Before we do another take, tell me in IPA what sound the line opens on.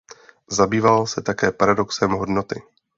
z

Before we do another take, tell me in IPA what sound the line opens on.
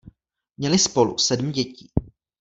m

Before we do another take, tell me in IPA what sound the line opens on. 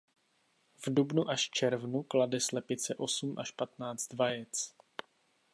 v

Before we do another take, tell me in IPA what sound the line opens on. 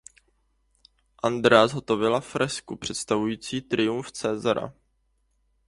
ʔ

